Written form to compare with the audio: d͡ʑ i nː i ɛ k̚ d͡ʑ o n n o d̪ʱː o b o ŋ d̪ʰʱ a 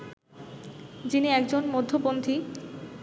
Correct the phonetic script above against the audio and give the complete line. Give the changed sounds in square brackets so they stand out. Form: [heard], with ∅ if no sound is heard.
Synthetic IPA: d͡ʑ i [n] i ɛ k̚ d͡ʑ o n [m] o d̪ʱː o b o [n] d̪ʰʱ [i]

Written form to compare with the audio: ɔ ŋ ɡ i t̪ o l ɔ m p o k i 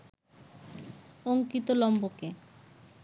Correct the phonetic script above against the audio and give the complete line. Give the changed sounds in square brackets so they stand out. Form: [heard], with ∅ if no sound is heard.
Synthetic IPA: [o] ŋ [k] i t̪ o l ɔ m [b] o k [e]

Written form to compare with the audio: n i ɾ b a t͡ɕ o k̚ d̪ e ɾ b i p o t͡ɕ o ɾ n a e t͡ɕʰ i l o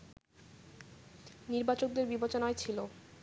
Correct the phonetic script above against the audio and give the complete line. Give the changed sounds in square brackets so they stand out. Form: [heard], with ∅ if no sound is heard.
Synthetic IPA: n i ɾ b a t͡ɕ o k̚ d̪ e ɾ b i [b] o t͡ɕ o [∅] n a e t͡ɕʰ i l o

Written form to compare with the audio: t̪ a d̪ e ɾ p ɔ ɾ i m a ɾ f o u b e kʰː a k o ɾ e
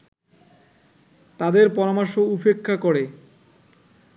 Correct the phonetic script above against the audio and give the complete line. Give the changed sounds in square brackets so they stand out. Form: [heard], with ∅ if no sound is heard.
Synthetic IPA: t̪ a d̪ e ɾ p ɔ ɾ [a] m a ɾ [ʃ] o u [p] e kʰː a k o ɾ e

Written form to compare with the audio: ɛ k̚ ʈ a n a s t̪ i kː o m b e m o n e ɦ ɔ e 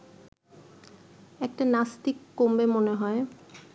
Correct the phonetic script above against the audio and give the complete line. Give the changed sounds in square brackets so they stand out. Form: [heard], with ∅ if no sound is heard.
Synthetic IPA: ɛ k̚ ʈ a n a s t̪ i kː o m b e m o n e ɦ ɔ e

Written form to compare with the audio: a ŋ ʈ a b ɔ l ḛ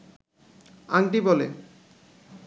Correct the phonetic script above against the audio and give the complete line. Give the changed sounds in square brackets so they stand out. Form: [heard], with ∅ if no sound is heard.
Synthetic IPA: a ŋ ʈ [i] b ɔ l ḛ

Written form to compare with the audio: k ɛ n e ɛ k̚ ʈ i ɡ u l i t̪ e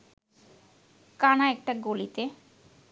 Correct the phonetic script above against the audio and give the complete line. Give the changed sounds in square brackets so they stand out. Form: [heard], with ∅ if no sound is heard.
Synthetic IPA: k [a] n [a] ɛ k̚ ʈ [a] ɡ [o] l i t̪ e

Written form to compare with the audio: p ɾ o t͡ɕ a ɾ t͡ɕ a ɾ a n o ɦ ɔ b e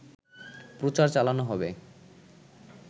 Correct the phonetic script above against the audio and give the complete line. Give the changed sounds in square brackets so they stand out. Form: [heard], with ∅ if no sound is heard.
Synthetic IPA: p ɾ o t͡ɕ a ɾ t͡ɕ a [l] a n o ɦ ɔ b e

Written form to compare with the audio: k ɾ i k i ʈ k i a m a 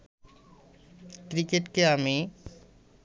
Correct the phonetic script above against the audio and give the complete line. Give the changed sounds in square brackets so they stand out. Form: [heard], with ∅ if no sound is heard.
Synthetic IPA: k ɾ i k [e] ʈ k [e] a m [i]

